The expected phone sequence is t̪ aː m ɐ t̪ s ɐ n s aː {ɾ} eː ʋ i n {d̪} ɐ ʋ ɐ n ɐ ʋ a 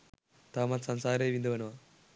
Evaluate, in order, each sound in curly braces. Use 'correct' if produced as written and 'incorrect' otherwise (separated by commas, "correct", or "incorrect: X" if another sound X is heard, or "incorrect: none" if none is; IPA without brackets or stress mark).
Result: correct, correct